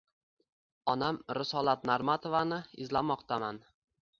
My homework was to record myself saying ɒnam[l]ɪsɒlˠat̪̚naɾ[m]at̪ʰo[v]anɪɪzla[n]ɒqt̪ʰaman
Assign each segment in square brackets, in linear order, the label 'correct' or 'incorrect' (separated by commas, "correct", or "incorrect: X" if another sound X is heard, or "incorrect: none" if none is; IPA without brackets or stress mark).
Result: incorrect: ɾ, correct, correct, incorrect: m